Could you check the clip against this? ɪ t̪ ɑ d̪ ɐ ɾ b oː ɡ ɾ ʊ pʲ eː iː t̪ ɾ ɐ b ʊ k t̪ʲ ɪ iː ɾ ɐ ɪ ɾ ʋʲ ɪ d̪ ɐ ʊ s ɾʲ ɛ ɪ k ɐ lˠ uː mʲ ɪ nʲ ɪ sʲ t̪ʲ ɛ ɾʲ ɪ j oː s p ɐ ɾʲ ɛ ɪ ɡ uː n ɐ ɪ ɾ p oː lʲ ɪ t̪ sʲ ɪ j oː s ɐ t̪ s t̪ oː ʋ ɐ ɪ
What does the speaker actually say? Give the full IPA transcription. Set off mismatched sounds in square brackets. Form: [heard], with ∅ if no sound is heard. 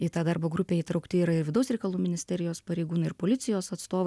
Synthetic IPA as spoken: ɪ t̪ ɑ d̪ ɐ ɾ b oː ɡ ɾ ʊ pʲ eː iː t̪ ɾ ɐ [∅] ʊ k t̪ʲ ɪ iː ɾ ɐ ɪ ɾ ʋʲ ɪ d̪ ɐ ʊ s ɾʲ ɛ ɪ k ɐ lˠ uː mʲ ɪ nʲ ɪ sʲ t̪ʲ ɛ ɾʲ ɪ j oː s p ɐ ɾʲ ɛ ɪ ɡ uː n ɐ ɪ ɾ p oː lʲ ɪ t̪ sʲ ɪ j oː s ɐ t̪ s t̪ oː ʋ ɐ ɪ

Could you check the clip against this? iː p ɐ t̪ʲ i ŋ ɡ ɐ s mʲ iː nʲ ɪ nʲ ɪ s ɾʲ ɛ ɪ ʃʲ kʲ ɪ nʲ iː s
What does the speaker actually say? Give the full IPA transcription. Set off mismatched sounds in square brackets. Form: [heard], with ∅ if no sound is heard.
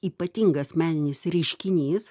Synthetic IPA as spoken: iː p ɐ t̪ʲ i ŋ ɡ ɐ s mʲ [æː] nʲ ɪ nʲ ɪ s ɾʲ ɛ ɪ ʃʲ kʲ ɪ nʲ iː s

